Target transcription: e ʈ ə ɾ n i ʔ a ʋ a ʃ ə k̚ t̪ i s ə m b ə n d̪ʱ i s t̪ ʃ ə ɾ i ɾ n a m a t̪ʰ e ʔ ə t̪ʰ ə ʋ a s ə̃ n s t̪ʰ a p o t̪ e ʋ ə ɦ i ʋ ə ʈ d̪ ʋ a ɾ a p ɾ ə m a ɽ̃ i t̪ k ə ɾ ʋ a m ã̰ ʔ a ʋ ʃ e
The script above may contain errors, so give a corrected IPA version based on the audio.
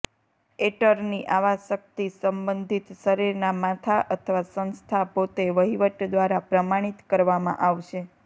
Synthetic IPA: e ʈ ə ɾ n i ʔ a ʋ a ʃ ə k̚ t̪ i s ə m b ə n d̪ʱ i t̪ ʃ ə ɾ i ɾ n a m a t̪ʰ a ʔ ə t̪ʰ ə ʋ a s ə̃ n s t̪ʰ a p o t̪ e ʋ ə ɦ i ʋ ə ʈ d̪ ʋ a ɾ a p ɾ ə m a ɽ̃ i t̪ k ə ɾ ʋ a m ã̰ ʔ a ʋ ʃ e